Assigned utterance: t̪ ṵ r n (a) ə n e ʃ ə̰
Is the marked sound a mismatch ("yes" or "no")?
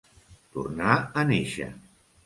no